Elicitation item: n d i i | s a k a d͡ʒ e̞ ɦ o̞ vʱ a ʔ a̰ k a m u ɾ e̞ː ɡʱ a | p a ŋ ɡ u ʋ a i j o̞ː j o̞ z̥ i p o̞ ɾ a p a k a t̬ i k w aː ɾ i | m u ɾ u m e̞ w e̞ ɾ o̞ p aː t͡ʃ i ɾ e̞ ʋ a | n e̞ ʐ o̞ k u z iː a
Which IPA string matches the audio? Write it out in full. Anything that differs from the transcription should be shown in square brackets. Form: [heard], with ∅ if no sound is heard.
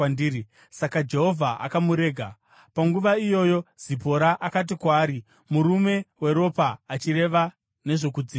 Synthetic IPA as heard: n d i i | s a k a d͡ʒ e̞ ɦ o̞ vʱ a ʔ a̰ k a m u ɾ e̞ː ɡʱ a | p a ŋ ɡ u ʋ a i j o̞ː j o̞ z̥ i p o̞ ɾ a [ʔ] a k a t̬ i k w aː ɾ i | m u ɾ u m e̞ w e̞ ɾ o̞ p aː t͡ʃ i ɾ e̞ ʋ a | n e̞ ʐ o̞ k u [d͡z] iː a